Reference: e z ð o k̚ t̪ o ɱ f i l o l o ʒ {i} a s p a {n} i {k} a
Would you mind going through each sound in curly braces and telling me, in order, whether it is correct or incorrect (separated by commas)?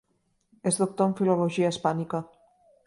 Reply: correct, correct, correct